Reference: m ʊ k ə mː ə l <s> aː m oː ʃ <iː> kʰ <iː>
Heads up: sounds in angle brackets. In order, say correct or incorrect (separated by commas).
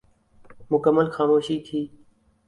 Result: incorrect, correct, correct